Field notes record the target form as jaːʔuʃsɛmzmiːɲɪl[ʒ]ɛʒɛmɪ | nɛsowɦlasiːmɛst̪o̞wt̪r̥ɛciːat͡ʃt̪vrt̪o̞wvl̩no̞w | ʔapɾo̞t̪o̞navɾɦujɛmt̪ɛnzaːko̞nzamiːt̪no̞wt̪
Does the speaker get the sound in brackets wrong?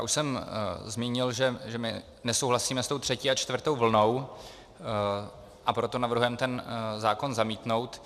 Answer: no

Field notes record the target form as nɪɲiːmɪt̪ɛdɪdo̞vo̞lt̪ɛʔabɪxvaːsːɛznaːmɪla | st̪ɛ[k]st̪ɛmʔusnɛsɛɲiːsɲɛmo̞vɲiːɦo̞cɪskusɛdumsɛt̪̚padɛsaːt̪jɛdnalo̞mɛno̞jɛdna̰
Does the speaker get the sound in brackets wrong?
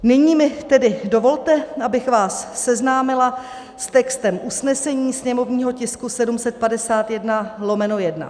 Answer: no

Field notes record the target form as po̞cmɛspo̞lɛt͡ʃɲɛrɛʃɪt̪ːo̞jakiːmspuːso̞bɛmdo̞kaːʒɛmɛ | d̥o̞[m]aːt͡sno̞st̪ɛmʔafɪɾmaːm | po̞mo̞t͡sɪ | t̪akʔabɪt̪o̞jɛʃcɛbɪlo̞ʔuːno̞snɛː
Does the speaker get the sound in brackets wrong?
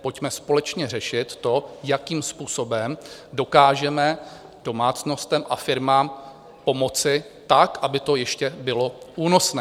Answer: no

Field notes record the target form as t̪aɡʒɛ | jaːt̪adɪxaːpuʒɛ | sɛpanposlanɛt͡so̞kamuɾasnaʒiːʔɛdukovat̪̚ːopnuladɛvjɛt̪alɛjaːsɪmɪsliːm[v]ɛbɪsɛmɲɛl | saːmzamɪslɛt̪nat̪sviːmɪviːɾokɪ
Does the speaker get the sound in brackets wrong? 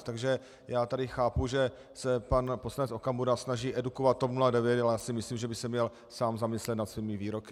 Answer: yes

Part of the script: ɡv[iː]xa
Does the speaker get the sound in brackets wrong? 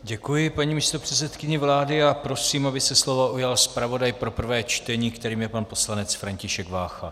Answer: yes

